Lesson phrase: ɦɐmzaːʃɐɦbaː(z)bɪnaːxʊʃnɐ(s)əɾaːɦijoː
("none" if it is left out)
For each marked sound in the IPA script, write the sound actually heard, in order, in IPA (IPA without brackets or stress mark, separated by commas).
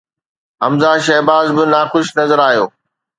z, z